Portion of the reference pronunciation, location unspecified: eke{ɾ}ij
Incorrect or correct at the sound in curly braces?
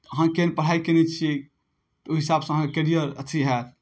correct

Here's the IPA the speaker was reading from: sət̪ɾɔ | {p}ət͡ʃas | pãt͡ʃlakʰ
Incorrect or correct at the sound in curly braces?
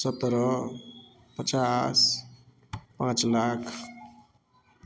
correct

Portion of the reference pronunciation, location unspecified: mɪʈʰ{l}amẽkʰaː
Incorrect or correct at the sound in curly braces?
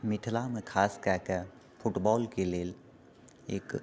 correct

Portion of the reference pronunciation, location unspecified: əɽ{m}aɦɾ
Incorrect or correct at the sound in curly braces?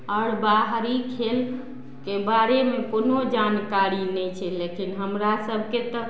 incorrect: b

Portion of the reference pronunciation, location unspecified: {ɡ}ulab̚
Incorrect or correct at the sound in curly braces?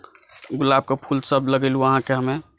correct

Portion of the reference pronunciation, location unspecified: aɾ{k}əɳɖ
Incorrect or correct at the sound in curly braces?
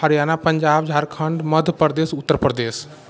incorrect: kʰ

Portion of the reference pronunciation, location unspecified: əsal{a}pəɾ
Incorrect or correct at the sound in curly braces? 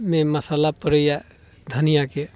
correct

